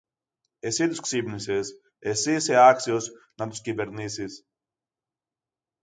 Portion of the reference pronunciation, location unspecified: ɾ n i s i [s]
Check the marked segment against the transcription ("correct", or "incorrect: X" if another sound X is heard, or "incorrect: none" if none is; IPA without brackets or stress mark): correct